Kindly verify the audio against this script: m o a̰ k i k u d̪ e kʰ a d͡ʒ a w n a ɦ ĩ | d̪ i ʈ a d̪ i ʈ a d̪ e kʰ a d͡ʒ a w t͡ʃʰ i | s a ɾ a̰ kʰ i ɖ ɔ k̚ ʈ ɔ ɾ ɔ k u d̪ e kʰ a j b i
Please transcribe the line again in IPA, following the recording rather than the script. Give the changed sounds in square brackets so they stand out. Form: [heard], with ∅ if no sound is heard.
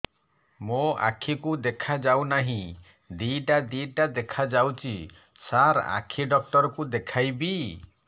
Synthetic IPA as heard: m o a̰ [kʰ] i k u d̪ e kʰ a d͡ʒ a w n a ɦ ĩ | d̪ i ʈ a d̪ i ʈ a d̪ e kʰ a d͡ʒ a w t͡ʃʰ i | s a ɾ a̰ kʰ i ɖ ɔ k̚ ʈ ɔ ɾ ɔ k u d̪ e kʰ a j b i